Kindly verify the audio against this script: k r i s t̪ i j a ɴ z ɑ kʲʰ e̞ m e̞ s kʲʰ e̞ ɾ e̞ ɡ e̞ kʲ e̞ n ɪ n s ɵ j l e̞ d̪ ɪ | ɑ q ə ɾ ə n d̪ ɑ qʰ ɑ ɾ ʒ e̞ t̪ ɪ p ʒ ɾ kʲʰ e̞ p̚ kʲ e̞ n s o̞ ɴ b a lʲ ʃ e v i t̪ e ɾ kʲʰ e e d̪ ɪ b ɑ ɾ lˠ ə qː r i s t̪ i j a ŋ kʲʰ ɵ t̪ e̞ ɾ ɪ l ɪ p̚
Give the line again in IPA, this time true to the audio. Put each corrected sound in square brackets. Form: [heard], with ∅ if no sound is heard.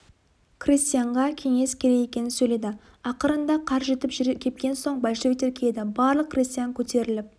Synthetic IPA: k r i s t̪ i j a ɴ [ʁ] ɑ kʲʰ e̞ [ŋ] e̞ s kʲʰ e̞ ɾ e̞ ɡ e̞ kʲ e̞ n ɪ n s ɵ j l e̞ d̪ ɪ | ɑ q ə ɾ ə n d̪ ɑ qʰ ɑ ɾ ʒ e̞ t̪ ɪ p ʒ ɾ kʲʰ e̞ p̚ kʲ e̞ n s o̞ ɴ b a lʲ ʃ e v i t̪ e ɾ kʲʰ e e d̪ ɪ b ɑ ɾ lˠ ə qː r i s t̪ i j a ŋ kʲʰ ɵ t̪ e̞ ɾ ɪ l ɪ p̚